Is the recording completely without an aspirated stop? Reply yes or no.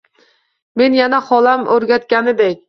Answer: yes